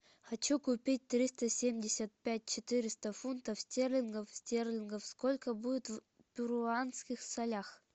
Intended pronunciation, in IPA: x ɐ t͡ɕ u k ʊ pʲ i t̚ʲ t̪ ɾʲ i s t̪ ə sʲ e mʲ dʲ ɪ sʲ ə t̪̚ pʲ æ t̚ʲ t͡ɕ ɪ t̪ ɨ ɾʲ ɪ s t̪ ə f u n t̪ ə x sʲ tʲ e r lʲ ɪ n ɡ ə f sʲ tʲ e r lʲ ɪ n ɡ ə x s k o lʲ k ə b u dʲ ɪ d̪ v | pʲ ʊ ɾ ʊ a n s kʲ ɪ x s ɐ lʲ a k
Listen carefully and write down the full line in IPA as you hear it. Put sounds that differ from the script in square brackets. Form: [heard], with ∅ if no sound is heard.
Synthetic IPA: x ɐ t͡ɕ u k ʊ pʲ i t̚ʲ t̪ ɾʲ i s t̪ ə sʲ e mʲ dʲ ɪ sʲ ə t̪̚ pʲ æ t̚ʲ t͡ɕ ɪ t̪ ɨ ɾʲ ɪ s t̪ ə f u n t̪ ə [f] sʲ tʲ e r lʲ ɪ n ɡ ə f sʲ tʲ e r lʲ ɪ n ɡ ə [f] s k o lʲ k ə b u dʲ ɪ [t̪] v | pʲ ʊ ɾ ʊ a n s kʲ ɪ x s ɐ lʲ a [x]